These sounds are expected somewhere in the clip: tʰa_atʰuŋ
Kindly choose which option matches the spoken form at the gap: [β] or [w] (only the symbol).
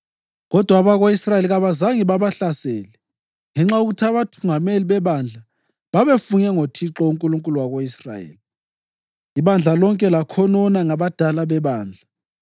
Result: β